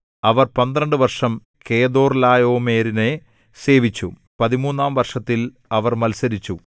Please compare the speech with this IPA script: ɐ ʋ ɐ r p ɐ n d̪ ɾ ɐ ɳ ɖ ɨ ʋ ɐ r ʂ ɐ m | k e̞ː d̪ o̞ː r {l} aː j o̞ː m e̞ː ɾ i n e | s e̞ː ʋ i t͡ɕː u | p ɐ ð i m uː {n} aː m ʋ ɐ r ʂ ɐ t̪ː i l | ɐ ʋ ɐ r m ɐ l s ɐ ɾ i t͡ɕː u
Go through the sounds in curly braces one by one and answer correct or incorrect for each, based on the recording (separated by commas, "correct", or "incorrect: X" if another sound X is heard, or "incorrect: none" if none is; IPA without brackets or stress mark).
correct, incorrect: nː